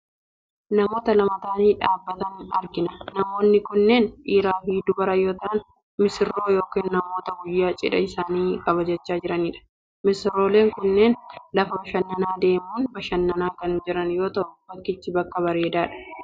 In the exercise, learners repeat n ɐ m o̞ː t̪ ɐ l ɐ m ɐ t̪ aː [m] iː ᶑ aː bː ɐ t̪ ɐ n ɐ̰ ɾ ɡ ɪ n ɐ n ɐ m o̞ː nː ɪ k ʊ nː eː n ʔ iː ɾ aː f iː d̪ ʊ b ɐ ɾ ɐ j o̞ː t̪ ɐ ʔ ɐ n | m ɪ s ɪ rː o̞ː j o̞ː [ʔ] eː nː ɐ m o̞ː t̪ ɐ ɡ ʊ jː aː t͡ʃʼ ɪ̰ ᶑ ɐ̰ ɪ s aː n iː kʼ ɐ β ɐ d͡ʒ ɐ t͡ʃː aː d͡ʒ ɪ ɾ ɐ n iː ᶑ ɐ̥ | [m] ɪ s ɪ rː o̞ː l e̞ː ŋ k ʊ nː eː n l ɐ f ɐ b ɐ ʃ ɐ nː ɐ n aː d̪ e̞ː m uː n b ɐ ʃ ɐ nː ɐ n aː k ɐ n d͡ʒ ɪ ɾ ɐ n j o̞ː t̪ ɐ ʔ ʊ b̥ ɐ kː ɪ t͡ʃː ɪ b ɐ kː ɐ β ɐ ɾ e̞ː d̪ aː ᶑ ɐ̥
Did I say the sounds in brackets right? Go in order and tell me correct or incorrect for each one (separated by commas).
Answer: incorrect, incorrect, correct